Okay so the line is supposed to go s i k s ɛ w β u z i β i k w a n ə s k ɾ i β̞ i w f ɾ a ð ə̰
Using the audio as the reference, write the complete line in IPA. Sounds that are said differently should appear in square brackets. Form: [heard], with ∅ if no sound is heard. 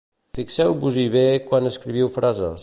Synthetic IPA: [f] i k s ɛ w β u z i β [e] k w a n ə s k ɾ i β̞ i w f ɾ a [z] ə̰